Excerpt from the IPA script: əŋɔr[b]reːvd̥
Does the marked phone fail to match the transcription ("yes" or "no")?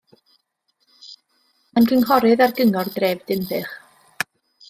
yes